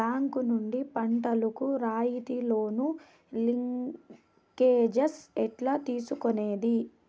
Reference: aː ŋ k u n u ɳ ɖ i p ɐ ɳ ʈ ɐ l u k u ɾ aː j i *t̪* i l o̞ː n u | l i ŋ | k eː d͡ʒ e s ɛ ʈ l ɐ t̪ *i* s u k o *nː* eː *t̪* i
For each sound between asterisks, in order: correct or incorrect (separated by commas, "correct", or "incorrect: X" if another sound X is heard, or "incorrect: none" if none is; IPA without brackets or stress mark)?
correct, incorrect: iː, incorrect: n, incorrect: d̪